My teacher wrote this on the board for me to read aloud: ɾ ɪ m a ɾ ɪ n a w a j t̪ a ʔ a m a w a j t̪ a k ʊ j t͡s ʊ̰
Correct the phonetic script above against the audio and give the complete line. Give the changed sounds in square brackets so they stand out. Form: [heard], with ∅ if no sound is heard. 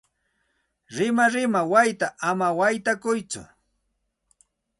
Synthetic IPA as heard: ɾ ɪ m a ɾ ɪ [m] a w a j t̪ a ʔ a m a w a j t̪ a k ʊ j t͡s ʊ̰